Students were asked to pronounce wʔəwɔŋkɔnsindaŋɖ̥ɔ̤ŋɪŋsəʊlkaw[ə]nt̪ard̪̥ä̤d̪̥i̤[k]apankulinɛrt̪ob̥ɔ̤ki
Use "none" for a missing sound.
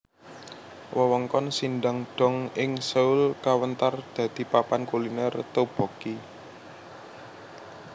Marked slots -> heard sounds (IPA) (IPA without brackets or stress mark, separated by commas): ə, p